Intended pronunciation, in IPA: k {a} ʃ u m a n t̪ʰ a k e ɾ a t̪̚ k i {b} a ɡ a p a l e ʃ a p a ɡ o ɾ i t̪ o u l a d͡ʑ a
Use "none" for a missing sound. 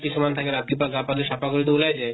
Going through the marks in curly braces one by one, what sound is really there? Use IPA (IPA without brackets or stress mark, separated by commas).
i, p